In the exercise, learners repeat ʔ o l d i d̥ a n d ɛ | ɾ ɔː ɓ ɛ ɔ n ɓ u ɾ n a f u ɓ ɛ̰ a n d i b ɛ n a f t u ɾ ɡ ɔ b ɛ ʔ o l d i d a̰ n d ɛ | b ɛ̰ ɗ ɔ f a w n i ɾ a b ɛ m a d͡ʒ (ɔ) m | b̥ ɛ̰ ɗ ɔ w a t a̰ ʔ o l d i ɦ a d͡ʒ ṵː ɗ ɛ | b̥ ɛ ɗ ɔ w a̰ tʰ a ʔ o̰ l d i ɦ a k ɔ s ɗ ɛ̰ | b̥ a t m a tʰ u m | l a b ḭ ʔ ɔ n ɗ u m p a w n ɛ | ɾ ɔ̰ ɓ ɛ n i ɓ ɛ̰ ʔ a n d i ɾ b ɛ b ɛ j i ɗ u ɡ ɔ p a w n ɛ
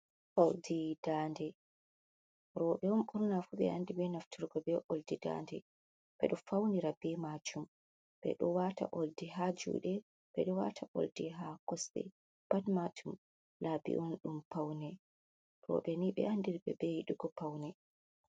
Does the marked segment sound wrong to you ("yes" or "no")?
yes